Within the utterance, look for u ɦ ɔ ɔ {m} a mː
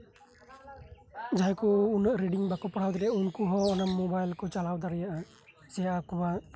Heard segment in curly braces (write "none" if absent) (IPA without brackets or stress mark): n